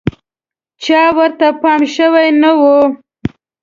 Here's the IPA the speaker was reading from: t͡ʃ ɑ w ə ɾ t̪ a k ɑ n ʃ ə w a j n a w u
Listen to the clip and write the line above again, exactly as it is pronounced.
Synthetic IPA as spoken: t͡ʃ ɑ w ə ɾ t̪ a p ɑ m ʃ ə w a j n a w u